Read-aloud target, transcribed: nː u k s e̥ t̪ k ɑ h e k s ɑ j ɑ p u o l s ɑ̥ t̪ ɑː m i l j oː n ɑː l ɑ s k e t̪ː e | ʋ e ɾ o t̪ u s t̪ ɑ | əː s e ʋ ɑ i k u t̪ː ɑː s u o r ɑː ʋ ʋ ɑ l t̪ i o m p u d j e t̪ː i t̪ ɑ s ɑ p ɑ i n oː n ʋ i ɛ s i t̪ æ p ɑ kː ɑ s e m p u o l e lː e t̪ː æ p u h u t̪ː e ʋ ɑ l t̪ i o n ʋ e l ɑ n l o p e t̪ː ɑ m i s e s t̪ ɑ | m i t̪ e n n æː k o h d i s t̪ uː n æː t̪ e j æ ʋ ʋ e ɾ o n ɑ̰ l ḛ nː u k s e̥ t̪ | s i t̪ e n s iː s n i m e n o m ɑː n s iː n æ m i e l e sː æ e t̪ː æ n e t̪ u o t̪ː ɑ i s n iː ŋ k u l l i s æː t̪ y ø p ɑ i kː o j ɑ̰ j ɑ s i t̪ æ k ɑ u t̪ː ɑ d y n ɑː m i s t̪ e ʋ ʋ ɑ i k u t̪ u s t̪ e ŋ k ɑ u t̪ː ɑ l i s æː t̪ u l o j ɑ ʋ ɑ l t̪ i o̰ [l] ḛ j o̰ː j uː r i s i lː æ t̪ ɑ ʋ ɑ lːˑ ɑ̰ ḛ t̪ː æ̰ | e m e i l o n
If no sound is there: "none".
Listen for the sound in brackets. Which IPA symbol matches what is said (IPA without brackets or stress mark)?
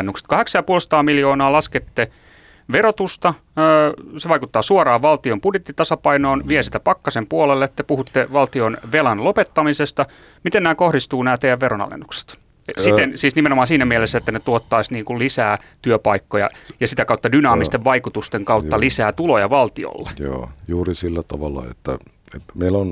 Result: lː